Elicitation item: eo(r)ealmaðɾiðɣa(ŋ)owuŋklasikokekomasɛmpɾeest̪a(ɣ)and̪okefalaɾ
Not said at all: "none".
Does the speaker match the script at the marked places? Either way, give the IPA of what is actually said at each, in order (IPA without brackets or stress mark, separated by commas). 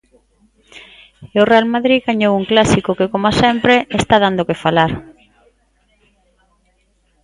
r, ɲ, ð